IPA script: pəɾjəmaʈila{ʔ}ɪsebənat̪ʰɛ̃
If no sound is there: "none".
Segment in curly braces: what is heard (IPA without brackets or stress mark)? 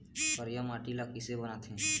k